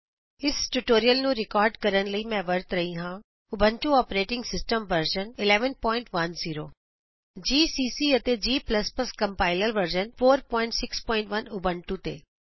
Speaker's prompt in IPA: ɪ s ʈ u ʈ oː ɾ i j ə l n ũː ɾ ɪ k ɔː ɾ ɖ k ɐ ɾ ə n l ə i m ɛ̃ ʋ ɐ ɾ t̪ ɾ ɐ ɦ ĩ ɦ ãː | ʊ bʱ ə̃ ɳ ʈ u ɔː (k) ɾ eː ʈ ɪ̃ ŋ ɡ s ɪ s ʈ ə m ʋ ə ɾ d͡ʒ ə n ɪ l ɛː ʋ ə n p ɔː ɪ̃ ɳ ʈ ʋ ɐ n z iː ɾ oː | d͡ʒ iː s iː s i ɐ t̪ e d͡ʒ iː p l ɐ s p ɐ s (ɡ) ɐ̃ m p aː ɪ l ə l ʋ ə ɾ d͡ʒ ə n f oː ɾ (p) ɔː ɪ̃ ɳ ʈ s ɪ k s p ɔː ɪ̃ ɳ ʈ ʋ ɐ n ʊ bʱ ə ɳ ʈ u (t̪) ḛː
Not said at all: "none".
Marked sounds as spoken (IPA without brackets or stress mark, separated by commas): p, k, p, t̪